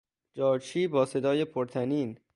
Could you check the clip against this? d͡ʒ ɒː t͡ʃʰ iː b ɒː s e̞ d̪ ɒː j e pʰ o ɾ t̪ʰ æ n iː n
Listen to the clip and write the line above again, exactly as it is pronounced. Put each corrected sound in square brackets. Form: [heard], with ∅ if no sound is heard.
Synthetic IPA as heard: d͡ʒ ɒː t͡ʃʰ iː b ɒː s e̞ d̪ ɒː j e pʰ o ɾ t̪ʰ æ n iː n